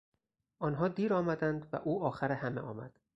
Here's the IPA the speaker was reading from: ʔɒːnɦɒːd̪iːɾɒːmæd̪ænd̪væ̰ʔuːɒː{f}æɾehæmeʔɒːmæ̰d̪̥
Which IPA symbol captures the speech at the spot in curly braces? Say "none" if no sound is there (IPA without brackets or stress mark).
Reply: x